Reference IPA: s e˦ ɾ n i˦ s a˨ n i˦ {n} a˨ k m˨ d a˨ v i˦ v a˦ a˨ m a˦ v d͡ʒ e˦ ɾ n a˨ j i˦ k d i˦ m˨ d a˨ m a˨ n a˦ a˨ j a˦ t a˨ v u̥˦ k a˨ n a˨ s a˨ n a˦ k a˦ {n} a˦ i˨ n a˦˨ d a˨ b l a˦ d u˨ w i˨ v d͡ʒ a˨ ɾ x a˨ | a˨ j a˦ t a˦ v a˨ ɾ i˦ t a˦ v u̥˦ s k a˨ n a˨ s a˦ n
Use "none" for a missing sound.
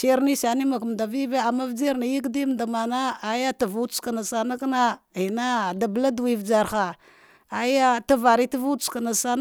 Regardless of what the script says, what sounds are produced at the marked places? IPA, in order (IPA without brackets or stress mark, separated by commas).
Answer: m, n